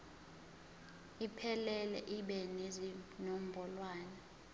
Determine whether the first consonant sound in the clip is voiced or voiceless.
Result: voiceless